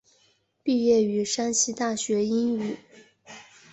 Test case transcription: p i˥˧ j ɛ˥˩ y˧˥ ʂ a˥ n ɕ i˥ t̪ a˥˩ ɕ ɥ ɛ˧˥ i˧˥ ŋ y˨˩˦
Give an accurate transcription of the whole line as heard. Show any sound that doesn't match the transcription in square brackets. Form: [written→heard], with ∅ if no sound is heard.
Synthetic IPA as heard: p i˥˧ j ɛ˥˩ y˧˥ ʂ a˥ n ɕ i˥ t̪ a˥˩ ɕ ɥ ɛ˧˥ [i˧˥→i˥] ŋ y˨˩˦